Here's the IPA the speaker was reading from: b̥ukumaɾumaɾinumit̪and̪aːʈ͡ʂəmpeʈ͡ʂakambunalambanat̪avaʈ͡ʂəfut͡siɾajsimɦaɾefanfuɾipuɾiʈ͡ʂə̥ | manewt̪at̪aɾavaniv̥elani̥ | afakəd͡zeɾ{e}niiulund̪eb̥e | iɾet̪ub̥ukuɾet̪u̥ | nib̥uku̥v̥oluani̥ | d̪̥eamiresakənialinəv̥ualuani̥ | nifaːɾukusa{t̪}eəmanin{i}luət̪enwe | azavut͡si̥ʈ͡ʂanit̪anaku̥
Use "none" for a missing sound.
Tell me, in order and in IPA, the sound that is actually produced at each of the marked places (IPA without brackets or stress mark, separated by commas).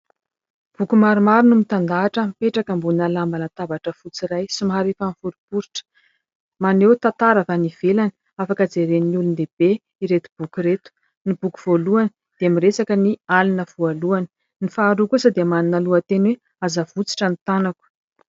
e, d̪, a